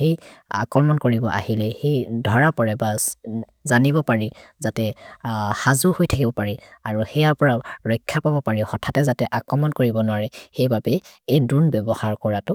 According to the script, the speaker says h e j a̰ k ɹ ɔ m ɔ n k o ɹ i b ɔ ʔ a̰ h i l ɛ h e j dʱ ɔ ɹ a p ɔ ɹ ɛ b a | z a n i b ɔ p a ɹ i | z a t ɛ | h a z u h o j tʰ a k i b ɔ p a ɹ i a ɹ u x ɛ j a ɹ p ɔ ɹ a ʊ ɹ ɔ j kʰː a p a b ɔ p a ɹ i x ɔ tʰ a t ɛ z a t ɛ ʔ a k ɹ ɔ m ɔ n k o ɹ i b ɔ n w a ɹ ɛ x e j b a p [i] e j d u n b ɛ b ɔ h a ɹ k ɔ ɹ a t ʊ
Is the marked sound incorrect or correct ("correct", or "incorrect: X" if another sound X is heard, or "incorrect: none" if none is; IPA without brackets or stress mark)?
incorrect: ɛ